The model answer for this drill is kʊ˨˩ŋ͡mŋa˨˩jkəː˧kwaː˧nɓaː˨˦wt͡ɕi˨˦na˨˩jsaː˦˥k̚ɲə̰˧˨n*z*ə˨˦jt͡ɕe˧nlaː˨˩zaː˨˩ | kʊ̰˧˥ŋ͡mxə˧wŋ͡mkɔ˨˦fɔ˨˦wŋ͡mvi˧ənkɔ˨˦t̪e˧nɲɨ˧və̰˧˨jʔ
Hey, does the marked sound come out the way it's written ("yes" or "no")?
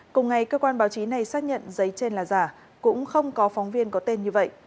yes